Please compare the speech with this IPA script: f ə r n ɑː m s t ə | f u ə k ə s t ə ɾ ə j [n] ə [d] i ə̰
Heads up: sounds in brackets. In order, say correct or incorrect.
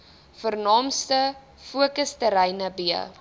correct, incorrect: b

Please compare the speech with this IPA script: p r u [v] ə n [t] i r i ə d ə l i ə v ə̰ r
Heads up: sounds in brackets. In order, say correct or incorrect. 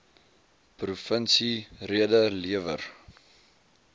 incorrect: f, incorrect: s

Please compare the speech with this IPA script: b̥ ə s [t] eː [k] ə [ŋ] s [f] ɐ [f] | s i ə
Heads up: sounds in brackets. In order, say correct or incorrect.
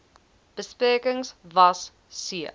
incorrect: p, correct, correct, incorrect: v, incorrect: s

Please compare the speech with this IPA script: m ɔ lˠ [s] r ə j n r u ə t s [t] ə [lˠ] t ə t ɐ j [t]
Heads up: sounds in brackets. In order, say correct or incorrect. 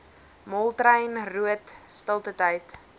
incorrect: t, correct, correct, correct

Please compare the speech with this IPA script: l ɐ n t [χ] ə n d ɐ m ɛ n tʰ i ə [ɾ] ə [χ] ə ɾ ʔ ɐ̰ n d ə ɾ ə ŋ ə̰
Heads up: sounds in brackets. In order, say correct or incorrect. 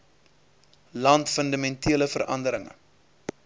incorrect: f, incorrect: l, incorrect: f

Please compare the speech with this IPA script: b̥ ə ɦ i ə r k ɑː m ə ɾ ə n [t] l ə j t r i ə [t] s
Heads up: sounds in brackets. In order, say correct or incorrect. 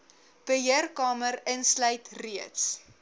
incorrect: s, correct

